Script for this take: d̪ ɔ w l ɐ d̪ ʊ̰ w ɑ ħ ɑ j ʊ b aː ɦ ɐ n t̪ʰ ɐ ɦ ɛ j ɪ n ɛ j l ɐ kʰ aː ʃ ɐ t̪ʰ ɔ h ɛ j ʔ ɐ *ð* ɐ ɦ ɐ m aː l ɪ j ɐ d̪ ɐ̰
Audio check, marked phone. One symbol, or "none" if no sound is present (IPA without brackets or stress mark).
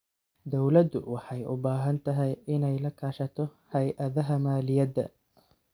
ð